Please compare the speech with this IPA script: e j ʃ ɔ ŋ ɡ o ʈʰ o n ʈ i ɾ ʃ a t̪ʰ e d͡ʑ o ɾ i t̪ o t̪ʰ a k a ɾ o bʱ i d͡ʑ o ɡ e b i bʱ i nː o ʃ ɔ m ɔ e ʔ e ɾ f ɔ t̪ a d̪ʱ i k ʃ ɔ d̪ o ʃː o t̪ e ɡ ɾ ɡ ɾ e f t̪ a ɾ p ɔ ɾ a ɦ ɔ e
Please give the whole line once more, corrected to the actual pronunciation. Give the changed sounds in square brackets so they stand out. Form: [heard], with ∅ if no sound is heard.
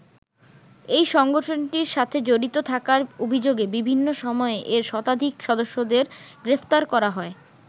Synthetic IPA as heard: e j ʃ ɔ ŋ ɡ o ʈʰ o n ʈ i ɾ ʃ a t̪ʰ e d͡ʑ o ɾ i t̪ o t̪ʰ a k a ɾ o bʱ i d͡ʑ o ɡ e b i bʱ i nː o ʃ ɔ m ɔ e ʔ e ɾ [ʃ] ɔ t̪ a d̪ʱ i k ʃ ɔ d̪ o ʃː o [d̪] e [∅] ɾ ɡ ɾ e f t̪ a ɾ [k] ɔ ɾ a ɦ ɔ e